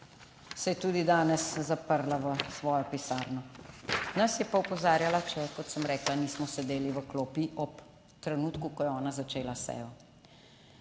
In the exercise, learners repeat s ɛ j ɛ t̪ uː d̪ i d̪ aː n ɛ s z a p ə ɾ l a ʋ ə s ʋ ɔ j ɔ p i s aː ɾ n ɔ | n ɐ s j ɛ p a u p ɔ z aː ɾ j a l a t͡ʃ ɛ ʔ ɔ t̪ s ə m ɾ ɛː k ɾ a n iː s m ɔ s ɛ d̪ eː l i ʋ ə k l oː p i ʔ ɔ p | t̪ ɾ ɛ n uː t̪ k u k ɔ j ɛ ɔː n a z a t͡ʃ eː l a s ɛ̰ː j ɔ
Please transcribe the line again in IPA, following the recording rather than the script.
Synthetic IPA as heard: s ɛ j ɛ t̪ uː d̪ i d̪ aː n ɛ s z a p ə ɾ l a ʋ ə s ʋ ɔː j ɔ p i s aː ɾ n ɔ | n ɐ s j ɛ p a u p ɔ z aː ɾ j a l a t͡ʃ ɛ k ɔ t̪ s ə m ɾ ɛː k l a n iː s m ɔ s ɛ d̪ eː l i ʋ ə k l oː p i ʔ ɔ p | t̪ ɾ ɛ n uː t̪ k u k ɔ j ɛ ɔː n a z a t͡ʃ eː l a s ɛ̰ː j ɔ

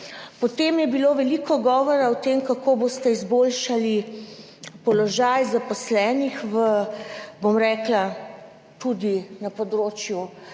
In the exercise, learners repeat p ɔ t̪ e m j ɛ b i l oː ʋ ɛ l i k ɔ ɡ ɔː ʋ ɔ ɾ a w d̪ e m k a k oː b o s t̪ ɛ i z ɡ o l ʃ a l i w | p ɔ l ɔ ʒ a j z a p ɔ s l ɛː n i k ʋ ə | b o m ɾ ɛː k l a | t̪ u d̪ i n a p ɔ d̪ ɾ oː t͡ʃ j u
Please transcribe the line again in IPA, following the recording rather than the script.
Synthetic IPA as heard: p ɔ t̪ e m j ɛ b i l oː ʋ ɛ l i k ɔ ɡ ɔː ʋ ɔ ɾ a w t̪ e m k a k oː b o s t̪ ɛ i z b o l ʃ a l i | p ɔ l ɔ ʒ a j z a p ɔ s l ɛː n i x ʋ ə | b o m ɾ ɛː k l a | t̪ u d̪ i n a p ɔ d̪ ɾ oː t͡ʃ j u

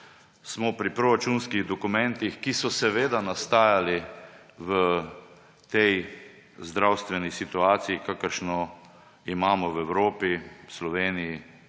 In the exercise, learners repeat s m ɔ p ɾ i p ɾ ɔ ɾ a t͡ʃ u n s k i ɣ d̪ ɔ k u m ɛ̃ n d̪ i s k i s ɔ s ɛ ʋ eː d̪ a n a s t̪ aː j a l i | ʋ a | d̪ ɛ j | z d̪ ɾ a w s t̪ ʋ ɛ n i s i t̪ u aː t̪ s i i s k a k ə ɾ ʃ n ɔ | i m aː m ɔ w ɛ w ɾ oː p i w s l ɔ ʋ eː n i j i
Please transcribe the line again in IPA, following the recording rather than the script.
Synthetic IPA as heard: s m ɔ p ɾ i p ɾ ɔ ɾ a t͡ʃ u n s k i ɣ d̪ ɔ k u m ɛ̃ n t̪ i x k i s ɔ s ɛ ʋ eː d̪ a n a s t̪ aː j a l i | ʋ ə | t̪ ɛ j | z d̪ ɾ a w s t̪ ʋ ɛ n i s i t̪ u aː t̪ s i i k a k ə ɾ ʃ n ɔ | i m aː m ɔ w ɛ w ɾ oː p i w s l ɔ ʋ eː n i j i

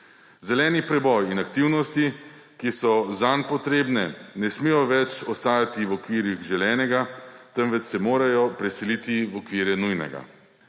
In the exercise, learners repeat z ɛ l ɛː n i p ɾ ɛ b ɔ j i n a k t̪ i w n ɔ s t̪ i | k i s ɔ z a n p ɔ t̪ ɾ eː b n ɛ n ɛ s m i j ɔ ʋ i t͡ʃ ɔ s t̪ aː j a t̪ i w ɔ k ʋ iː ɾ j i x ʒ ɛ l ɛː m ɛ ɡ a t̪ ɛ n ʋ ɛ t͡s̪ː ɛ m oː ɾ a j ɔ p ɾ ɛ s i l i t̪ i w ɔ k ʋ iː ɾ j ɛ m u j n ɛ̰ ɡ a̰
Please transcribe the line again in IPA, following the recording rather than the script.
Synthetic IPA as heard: z ɛ l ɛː n i p ɾ ɛ b ɔ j i n a k t̪ i w n ɔ s t̪ i | k i s ɔ z a n p ɔ t̪ ɾ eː b n ɛ n ɛ s m i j ɔ ʋ ɛ t͡ʃ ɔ s t̪ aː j a t̪ i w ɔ k ʋ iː ɾ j i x ʒ ɛ l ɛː n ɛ ɡ a t̪ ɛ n ʋ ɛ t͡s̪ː ɛ m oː ɾ a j ɔ p ɾ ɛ s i l i t̪ i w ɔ k ʋ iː ɾ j ɛ n u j n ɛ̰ ɡ a̰

